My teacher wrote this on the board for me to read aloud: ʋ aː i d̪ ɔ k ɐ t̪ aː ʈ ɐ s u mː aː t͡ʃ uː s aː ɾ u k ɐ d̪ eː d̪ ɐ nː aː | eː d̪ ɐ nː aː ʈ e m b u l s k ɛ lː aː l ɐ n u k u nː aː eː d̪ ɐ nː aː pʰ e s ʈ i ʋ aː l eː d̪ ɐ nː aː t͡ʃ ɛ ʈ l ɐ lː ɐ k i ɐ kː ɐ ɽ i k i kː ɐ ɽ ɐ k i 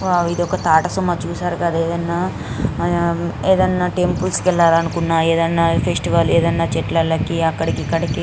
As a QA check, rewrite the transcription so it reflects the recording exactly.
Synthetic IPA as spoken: ʋ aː i d̪ ɔ k ɐ t̪ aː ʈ ɐ s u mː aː t͡ʃ uː s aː ɾ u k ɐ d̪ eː d̪ ɐ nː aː | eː d̪ ɐ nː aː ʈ e m p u l s k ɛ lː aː ɾ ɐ n u k u nː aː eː d̪ ɐ nː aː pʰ e s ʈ i ʋ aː l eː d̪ ɐ nː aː t͡ʃ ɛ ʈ l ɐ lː ɐ k i ɐ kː ɐ ɽ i k i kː ɐ ɽ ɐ k i